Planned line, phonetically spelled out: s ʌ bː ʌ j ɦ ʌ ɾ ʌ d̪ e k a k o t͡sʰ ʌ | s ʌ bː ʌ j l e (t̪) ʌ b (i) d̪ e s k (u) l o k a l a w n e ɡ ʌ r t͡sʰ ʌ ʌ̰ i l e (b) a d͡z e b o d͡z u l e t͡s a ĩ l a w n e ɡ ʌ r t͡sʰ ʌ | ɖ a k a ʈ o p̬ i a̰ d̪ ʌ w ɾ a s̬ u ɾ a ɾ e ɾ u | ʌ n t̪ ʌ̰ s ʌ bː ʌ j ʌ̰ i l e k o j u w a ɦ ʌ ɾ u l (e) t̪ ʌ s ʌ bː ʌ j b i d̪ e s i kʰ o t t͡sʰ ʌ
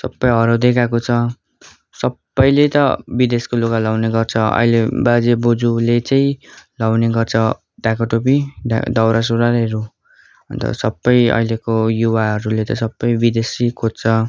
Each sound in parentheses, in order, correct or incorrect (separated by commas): correct, correct, incorrect, correct, correct